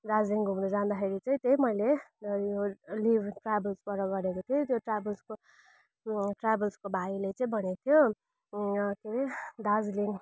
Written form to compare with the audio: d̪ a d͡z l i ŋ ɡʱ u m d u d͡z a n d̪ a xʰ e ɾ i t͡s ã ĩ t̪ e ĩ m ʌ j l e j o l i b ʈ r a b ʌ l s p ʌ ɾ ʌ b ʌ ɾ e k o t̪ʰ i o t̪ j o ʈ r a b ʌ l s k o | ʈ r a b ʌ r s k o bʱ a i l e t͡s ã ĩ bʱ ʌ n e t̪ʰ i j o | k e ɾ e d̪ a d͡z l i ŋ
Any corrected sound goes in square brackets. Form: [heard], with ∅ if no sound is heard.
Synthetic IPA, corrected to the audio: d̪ a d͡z l i ŋ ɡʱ u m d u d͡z a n d̪ a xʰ e ɾ i t͡s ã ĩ t̪ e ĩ m ʌ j l e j o l i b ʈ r a b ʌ l s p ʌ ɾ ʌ [ɡ] ʌ ɾ e k o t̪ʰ i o t̪ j o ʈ r a b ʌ l s k o | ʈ r a b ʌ [l] s k o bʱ a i l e t͡s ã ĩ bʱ ʌ n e t̪ʰ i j o | k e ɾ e d̪ a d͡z l i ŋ